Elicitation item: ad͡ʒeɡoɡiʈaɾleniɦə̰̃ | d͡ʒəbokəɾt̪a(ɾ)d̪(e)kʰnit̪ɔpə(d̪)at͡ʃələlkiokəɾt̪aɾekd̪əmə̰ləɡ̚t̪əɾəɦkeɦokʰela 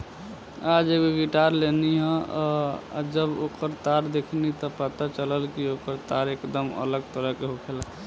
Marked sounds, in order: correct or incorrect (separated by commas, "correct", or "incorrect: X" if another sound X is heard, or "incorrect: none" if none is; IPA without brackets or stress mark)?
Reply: correct, correct, incorrect: t̪